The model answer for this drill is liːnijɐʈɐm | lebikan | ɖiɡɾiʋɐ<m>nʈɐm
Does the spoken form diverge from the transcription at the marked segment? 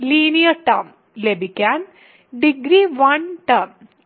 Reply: yes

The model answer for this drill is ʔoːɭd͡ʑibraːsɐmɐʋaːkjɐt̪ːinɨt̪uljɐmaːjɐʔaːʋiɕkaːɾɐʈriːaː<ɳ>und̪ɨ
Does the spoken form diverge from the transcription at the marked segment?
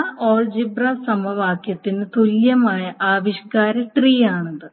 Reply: no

